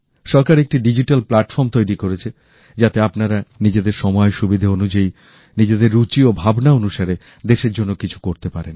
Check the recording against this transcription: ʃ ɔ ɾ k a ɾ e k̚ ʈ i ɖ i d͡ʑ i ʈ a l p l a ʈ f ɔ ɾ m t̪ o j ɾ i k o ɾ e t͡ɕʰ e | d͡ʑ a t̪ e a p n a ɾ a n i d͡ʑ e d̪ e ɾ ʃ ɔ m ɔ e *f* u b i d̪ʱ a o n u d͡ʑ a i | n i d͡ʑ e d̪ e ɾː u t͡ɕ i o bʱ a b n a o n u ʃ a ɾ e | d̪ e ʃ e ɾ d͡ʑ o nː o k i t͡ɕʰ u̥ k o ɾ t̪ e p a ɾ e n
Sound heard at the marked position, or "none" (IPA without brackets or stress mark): ʃ